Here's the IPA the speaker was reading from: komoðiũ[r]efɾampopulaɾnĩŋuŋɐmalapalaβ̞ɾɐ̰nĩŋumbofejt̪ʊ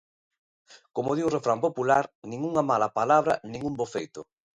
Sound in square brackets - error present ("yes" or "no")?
no